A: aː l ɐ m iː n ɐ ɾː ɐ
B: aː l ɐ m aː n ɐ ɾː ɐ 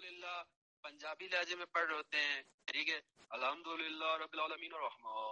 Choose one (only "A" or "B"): A